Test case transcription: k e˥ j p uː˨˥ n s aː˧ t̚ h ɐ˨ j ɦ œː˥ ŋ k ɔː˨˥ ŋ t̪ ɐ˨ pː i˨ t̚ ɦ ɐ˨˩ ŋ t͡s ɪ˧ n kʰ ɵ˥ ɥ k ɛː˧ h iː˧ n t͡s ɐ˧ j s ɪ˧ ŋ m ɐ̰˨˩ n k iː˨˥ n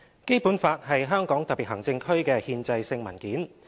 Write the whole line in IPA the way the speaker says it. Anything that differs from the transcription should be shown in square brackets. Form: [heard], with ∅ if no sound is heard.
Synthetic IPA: k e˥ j p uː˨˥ n [f] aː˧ t̚ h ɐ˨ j ɦ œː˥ ŋ k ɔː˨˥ ŋ t̪ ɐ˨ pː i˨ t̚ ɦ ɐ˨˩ ŋ t͡s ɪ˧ [ŋ] kʰ ɵ˥ ɥ k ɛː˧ h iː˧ n t͡s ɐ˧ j s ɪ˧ ŋ m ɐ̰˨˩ n k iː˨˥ n